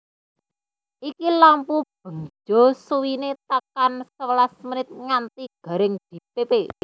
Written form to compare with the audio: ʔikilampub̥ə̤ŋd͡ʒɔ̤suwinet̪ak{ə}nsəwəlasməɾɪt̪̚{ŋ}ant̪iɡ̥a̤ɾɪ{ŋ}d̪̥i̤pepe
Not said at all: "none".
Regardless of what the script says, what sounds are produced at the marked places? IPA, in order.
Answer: a, ŋ, ŋ

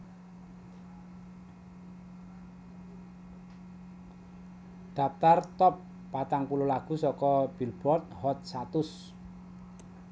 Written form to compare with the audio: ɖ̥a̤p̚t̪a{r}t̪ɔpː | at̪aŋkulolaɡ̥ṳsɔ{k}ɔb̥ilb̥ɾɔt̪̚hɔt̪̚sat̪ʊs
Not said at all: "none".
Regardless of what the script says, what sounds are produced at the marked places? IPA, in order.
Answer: r, k

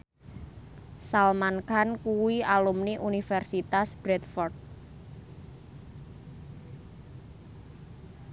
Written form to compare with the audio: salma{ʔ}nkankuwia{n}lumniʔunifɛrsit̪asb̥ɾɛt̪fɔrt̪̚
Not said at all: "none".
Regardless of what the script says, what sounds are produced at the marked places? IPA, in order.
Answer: none, none

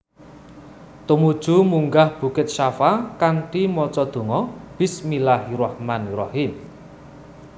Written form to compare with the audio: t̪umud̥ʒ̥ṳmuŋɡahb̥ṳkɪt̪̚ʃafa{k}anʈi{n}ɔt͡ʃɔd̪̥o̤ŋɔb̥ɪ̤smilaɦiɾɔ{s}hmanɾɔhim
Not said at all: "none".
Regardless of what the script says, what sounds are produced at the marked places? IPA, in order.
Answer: k, m, none

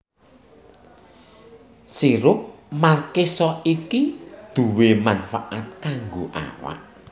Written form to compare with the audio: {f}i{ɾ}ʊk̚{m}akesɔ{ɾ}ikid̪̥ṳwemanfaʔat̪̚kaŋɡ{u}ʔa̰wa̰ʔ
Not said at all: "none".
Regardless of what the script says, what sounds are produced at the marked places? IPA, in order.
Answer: s, ɾ, m, none, o

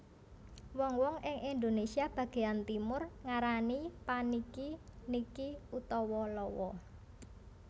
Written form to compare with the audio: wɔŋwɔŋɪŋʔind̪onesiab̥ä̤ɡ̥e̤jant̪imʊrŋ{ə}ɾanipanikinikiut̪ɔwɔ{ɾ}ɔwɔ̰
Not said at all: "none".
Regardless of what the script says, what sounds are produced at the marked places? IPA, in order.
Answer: a, l

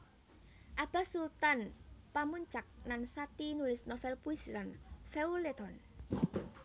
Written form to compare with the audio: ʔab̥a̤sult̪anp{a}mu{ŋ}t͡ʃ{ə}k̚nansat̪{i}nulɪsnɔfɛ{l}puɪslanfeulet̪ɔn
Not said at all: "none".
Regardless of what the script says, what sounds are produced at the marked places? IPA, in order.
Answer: a, ɲ, a, i, l

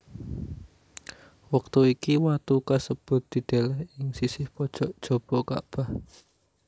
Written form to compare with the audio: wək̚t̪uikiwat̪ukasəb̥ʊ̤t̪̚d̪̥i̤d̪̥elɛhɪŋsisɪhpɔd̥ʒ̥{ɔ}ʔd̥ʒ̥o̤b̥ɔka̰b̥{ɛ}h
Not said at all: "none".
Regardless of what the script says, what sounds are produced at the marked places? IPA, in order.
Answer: ɔ, a

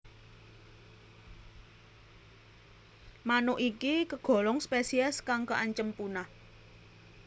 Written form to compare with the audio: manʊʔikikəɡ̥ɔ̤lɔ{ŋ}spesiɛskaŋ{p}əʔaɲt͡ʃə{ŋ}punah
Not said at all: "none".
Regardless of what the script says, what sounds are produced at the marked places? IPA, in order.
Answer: ŋ, k, m

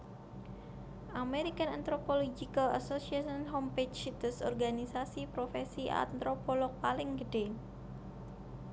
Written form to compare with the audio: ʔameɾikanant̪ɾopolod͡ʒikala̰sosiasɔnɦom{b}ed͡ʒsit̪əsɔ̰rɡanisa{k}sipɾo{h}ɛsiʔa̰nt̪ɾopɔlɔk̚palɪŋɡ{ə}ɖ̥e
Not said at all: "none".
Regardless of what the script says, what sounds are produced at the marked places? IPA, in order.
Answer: p, none, f, ə

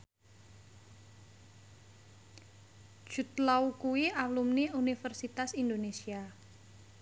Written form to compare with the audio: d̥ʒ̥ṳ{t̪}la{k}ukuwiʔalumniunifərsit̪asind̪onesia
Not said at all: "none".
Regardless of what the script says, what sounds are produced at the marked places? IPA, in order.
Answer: t̪, none

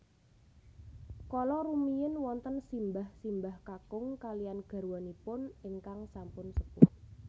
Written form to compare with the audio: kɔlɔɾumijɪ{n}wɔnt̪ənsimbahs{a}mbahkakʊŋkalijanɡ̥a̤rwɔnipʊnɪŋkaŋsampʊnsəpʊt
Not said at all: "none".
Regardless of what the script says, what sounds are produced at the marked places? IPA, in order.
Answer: n, i

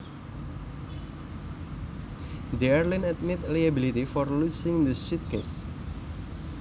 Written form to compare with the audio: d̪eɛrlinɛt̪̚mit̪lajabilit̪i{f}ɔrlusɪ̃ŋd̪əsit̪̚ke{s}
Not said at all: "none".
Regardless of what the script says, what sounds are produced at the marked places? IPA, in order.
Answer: f, s

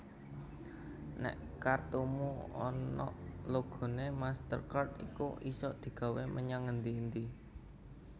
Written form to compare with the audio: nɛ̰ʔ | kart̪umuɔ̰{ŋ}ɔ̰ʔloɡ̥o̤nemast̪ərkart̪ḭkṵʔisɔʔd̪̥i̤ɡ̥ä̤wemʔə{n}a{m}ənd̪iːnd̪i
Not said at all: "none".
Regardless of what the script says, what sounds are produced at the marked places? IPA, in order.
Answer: n, ɲ, ŋ

